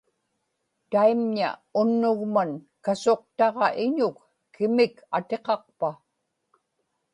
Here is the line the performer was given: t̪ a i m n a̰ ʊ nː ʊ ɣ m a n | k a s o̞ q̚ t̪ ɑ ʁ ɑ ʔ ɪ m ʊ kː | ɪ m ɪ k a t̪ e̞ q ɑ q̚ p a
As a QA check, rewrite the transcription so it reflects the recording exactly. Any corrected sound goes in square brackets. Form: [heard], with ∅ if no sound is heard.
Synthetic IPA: t̪ a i m [ɲ] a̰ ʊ nː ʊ ɣ m a n | k a s o̞ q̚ t̪ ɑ ʁ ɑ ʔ ɪ [ɲ] ʊ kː | ɪ m ɪ k a t̪ e̞ q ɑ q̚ p a